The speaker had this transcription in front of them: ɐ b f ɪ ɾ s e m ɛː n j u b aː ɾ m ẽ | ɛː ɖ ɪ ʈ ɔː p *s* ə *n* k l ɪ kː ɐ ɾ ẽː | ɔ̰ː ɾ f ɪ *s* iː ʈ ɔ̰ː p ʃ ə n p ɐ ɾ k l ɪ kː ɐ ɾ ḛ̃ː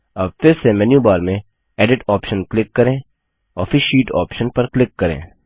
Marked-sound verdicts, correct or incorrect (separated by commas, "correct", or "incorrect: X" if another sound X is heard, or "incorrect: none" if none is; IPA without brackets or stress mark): incorrect: ʃ, correct, incorrect: ʃ